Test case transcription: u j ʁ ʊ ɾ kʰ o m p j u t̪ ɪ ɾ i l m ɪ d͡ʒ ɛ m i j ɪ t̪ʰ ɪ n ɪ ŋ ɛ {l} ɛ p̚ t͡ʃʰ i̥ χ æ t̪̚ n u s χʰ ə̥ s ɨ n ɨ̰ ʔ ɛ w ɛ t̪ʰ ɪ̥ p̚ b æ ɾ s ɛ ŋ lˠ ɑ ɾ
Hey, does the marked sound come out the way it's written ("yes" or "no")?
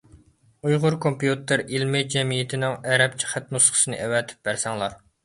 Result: no